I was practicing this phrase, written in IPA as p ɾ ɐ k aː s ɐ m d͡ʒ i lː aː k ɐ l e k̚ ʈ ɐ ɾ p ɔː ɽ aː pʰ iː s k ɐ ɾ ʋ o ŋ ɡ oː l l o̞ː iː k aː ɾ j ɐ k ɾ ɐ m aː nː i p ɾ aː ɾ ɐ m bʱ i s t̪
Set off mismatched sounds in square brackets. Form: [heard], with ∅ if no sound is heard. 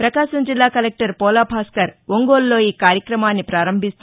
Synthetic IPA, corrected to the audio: p ɾ ɐ k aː [ʃ] ɐ m d͡ʒ i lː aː k ɐ l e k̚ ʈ ɐ ɾ p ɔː [l] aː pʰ [aː] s k ɐ ɾ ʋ o ŋ ɡ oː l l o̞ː iː k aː ɾ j ɐ k ɾ ɐ m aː nː i p ɾ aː ɾ ɐ m bʱ i s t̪